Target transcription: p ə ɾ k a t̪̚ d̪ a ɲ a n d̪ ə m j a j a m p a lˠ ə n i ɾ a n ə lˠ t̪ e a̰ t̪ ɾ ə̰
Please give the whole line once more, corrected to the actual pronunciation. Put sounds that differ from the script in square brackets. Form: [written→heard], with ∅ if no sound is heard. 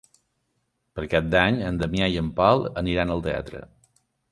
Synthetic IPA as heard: p ə ɾ k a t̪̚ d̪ a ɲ [a→ə] n d̪ ə m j a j [a→ə] m p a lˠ ə n i ɾ a n ə lˠ t̪ e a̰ t̪ ɾ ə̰